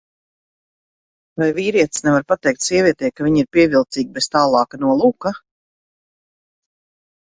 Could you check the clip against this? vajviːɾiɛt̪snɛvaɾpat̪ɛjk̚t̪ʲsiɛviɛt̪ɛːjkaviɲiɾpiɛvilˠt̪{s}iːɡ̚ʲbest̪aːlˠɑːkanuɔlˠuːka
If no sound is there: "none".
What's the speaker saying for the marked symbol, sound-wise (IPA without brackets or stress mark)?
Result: s